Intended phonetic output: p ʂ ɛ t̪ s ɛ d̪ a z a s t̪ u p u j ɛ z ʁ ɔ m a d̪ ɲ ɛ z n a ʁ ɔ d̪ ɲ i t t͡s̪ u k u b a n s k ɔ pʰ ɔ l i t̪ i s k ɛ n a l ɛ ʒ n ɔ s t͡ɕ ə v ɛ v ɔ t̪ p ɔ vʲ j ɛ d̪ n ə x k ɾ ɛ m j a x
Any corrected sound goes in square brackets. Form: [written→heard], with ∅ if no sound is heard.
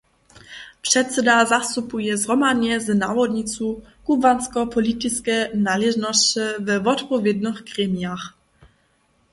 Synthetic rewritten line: p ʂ ɛ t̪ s ɛ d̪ a z a s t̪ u p u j ɛ z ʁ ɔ m a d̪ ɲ ɛ z n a [ʁ→v] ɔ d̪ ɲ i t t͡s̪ u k u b a n s k ɔ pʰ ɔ l i t̪ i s k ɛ n a l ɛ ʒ n ɔ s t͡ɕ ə v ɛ v ɔ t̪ p ɔ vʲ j ɛ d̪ n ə x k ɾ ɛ m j a x